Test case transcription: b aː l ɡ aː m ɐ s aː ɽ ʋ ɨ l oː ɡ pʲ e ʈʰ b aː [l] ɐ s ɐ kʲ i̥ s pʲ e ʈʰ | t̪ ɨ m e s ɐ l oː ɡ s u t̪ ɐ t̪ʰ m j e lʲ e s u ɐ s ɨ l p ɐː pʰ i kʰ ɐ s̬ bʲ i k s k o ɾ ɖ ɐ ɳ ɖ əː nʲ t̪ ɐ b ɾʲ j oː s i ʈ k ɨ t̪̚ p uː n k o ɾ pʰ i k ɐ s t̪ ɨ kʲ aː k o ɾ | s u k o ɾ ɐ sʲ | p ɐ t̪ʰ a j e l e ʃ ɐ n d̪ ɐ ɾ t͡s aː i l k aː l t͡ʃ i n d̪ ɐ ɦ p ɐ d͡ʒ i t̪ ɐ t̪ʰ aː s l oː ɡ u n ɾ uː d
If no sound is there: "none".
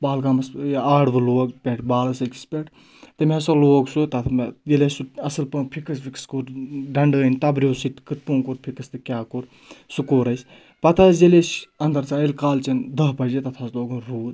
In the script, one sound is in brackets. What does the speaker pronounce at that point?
l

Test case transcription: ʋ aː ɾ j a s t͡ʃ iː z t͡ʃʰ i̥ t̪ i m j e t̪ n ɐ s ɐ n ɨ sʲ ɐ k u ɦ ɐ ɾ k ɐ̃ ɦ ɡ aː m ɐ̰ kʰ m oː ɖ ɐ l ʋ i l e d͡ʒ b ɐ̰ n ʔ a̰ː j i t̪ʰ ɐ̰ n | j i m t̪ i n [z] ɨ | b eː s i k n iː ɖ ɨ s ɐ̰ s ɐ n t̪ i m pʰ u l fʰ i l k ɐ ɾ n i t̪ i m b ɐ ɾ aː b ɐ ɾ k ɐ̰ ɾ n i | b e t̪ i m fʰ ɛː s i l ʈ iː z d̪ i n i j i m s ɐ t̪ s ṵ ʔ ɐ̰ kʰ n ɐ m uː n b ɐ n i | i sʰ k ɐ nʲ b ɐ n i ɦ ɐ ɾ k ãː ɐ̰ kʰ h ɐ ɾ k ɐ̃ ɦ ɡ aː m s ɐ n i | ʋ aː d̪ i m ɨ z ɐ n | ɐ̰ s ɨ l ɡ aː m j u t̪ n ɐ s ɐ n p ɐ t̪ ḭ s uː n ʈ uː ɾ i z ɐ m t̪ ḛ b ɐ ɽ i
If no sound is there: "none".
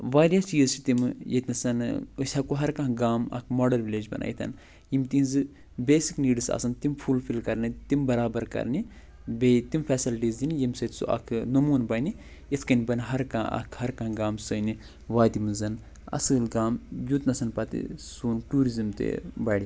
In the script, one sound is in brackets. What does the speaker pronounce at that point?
z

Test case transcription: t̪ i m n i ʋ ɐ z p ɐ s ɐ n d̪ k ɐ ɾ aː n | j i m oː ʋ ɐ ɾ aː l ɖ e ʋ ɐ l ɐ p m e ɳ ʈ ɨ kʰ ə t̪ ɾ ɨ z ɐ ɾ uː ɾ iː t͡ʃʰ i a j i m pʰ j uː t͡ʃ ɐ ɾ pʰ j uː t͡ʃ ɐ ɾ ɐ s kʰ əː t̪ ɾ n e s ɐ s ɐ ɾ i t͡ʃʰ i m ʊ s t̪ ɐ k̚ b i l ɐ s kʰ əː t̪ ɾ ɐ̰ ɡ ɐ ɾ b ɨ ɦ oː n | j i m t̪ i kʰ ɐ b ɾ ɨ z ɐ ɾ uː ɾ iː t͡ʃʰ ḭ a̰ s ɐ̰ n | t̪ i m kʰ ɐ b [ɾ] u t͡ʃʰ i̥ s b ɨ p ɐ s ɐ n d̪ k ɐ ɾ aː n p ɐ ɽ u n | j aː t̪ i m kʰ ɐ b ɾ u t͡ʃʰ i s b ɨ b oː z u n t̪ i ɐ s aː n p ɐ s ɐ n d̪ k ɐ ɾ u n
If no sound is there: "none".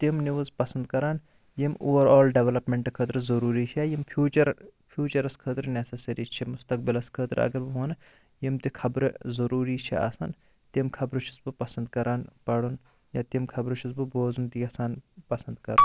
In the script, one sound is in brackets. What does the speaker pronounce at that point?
ɾ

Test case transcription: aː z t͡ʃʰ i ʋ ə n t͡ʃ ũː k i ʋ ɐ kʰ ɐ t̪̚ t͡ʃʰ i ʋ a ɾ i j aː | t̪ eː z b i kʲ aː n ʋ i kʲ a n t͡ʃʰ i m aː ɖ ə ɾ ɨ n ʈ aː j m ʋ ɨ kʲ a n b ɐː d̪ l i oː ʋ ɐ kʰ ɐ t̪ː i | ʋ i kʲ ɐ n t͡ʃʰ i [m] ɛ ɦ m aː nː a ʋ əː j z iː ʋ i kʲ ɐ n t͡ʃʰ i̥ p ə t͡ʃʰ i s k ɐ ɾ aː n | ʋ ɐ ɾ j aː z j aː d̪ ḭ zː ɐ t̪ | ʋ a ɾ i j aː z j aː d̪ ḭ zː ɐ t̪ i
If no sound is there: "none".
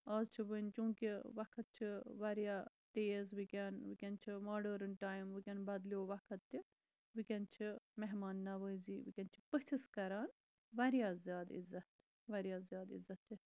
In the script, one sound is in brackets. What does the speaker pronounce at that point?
m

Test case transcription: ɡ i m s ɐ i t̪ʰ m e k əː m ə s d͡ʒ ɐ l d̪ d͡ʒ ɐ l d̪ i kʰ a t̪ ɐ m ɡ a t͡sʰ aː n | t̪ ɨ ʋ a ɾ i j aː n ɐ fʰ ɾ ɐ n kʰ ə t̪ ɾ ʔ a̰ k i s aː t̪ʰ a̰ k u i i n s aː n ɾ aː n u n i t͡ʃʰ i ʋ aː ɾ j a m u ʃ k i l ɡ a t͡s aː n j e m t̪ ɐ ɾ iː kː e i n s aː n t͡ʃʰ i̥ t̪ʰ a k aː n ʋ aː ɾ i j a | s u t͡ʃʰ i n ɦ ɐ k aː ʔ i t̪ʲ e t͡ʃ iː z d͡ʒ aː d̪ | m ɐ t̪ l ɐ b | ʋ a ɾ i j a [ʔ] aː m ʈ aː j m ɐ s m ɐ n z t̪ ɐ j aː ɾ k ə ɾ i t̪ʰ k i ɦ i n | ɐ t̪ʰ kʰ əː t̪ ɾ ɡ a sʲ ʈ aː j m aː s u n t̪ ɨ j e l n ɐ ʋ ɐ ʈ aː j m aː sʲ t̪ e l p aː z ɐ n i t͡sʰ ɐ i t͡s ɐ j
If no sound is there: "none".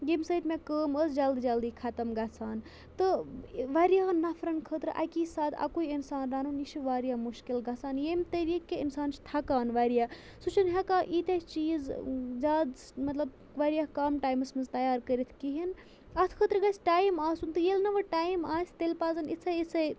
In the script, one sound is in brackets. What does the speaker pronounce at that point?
k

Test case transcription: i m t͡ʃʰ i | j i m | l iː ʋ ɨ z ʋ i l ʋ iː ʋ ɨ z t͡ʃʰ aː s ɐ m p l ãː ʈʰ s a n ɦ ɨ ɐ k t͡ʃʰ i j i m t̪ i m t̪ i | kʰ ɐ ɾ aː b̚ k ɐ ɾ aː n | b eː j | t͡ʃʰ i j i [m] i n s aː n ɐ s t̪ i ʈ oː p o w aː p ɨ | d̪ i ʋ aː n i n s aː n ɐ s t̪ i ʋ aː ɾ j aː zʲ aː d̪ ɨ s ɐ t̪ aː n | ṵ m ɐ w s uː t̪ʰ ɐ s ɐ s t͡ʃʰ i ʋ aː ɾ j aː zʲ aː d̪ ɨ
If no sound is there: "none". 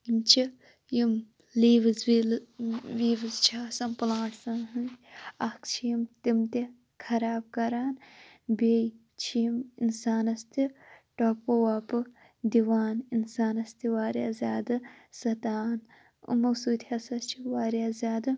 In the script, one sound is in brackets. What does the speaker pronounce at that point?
m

